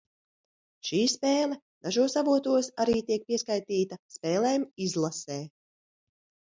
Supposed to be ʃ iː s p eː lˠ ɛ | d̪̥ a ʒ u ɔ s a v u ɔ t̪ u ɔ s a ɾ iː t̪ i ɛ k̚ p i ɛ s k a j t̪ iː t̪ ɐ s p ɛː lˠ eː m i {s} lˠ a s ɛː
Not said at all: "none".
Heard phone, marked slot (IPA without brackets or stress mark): z